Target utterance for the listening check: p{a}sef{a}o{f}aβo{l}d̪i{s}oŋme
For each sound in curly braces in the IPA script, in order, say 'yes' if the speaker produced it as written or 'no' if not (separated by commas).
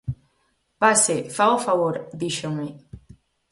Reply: yes, yes, yes, no, no